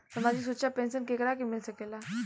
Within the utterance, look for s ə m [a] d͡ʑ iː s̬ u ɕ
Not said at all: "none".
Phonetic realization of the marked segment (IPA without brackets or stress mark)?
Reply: a